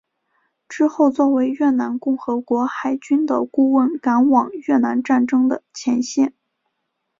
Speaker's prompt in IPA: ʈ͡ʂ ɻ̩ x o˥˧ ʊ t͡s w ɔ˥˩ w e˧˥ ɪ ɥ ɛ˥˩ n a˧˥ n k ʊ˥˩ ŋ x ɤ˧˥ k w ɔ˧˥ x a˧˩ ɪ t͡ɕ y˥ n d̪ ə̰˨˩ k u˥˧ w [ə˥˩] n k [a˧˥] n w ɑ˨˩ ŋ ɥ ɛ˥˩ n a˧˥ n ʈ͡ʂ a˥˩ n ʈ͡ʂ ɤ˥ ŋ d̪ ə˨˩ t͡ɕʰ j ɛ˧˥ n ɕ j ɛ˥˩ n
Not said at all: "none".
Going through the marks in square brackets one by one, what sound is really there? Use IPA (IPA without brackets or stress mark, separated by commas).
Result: ə˥˩, a˧˥